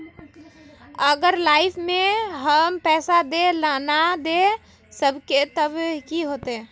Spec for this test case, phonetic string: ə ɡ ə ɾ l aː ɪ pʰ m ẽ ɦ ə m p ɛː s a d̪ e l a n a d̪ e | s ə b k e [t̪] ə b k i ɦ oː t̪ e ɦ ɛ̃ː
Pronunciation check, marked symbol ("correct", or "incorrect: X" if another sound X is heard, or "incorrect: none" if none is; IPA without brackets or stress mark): correct